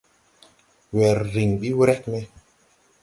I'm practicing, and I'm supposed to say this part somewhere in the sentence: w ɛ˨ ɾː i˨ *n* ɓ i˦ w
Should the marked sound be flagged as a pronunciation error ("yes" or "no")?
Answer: yes